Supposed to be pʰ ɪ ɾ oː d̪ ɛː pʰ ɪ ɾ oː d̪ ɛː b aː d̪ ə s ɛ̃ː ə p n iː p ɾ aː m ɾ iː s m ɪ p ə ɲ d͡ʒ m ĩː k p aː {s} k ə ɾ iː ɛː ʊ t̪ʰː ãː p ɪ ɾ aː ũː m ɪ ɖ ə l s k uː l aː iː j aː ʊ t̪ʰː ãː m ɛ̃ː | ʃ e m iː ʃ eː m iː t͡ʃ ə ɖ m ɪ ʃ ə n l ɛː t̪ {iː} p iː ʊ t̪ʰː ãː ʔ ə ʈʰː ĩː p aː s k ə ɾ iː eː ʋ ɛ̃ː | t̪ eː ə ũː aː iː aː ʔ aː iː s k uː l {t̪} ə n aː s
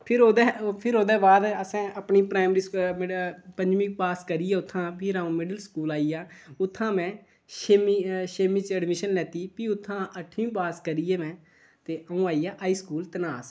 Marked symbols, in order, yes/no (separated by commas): yes, yes, yes